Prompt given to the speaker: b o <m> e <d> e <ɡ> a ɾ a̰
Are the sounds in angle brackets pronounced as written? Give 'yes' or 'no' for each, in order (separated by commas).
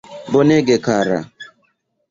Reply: no, no, no